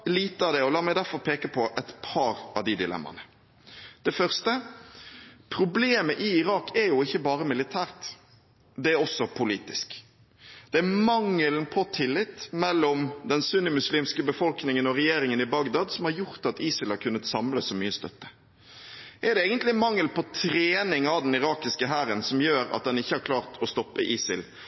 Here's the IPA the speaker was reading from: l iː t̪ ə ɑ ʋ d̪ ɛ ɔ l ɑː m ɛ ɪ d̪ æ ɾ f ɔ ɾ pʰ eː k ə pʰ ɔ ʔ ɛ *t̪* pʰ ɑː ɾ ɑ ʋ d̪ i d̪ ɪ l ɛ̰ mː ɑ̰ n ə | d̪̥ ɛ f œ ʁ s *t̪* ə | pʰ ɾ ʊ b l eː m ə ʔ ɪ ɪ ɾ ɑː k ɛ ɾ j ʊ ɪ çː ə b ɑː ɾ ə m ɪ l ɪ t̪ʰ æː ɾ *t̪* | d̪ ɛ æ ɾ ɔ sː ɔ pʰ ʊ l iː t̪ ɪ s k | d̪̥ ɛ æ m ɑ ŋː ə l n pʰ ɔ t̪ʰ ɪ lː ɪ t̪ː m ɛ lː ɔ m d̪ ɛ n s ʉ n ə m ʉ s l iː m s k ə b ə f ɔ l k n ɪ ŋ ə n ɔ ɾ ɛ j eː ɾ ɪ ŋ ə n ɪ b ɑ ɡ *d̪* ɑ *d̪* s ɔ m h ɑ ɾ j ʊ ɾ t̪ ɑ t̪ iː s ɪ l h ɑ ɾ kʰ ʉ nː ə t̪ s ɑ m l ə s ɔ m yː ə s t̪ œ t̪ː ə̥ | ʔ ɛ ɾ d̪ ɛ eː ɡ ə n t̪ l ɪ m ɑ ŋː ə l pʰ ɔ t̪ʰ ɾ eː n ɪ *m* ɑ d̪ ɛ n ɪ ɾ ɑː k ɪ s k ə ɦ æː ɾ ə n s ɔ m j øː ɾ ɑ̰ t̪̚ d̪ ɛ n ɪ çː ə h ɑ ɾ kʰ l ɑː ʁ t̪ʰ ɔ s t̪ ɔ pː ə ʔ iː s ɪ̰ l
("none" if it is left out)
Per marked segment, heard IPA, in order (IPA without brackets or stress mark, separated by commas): t̪, t̪, t̪, d̪, d̪, ŋ